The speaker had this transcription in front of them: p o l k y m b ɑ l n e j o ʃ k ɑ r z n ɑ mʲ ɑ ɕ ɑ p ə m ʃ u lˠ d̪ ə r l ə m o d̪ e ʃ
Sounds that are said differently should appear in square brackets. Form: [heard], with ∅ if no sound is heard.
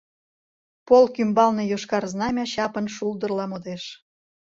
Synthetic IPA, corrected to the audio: p o l k y m b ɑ l n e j o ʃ k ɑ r z n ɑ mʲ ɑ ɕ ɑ p ə [n] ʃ u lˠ d̪ ə r l [ɑ] m o d̪ e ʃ